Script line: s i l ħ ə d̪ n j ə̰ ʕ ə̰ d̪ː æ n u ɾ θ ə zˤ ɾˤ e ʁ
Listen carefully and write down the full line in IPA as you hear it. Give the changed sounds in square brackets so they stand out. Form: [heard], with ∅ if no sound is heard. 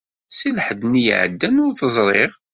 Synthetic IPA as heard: s i l ħ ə d̪ n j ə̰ ʕ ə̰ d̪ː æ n [ʊ] ɾ θ ə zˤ ɾˤ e ʁ